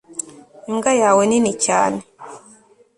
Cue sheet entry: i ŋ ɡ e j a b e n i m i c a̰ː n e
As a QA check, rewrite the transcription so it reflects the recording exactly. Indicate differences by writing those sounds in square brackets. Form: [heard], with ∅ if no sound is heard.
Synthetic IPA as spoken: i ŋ ɡ [a] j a [w] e n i [n] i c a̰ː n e